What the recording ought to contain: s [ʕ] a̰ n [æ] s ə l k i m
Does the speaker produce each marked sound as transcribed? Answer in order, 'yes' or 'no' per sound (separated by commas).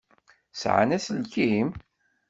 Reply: yes, yes